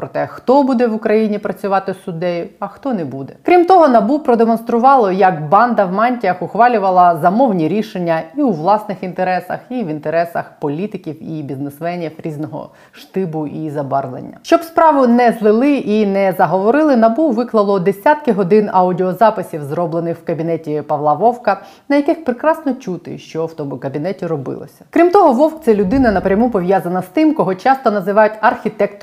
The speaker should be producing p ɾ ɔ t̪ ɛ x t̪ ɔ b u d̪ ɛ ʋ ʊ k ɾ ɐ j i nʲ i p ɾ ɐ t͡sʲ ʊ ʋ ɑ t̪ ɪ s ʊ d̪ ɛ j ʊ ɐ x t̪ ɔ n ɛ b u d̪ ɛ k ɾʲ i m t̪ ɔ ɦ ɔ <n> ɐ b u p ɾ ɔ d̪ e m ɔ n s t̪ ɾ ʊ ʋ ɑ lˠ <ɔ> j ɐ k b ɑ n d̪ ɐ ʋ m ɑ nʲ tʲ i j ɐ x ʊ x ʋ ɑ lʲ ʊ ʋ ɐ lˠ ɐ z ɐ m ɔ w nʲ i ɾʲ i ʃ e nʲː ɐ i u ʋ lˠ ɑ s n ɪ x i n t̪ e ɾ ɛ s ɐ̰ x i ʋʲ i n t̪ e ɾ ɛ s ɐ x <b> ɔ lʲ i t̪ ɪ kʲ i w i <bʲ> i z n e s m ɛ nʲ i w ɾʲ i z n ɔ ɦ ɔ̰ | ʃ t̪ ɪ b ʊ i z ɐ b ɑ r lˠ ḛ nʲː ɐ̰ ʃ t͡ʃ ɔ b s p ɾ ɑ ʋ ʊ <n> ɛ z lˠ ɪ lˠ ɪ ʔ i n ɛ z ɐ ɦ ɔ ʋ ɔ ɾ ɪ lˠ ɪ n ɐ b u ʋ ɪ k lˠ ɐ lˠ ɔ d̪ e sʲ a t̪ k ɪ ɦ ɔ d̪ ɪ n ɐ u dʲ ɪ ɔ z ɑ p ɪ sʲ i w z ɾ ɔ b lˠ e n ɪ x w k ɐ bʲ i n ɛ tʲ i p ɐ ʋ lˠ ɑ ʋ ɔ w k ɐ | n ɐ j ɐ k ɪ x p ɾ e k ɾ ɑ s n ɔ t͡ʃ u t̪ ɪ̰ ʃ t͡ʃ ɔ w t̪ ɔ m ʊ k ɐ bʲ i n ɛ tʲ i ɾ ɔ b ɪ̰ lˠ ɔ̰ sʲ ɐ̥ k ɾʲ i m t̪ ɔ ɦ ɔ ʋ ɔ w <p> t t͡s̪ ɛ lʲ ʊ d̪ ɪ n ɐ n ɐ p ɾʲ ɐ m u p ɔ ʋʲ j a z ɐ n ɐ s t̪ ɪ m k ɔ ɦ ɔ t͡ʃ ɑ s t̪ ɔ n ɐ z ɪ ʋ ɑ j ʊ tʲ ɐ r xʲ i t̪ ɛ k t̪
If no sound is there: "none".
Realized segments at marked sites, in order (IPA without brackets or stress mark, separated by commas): n, ɔ, p, bʲ, n, k